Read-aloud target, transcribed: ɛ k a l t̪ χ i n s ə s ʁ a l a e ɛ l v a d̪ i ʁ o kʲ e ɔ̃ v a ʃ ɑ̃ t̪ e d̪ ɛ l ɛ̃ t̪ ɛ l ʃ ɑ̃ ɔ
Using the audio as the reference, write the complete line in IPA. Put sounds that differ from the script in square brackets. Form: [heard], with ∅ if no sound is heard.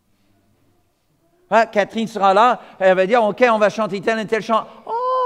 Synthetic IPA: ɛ k a [∅] t̪ χ i n s ə [∅] ʁ a l a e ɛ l v a d̪ i ʁ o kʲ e ɔ̃ v a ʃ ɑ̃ t̪ e [t̪] ɛ l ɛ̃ t̪ ɛ l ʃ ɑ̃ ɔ